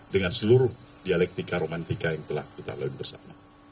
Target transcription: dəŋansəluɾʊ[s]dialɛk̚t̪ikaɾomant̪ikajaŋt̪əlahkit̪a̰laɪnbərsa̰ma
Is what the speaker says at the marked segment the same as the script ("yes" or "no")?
no